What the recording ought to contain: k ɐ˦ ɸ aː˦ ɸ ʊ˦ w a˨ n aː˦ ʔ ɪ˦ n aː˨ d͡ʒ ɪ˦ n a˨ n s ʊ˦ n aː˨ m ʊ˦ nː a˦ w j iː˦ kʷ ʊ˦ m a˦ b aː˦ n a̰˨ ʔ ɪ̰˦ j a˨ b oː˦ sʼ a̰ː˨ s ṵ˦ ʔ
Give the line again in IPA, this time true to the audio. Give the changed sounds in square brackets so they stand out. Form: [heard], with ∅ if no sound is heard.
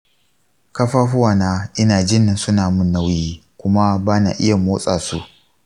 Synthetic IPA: k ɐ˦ ɸ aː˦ ɸ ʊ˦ w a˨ n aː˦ ʔ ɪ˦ n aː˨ d͡ʒ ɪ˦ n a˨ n s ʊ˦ n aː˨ m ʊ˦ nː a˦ w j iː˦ kʷ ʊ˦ m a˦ b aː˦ n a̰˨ ʔ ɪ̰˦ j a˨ [m] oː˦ sʼ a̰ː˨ s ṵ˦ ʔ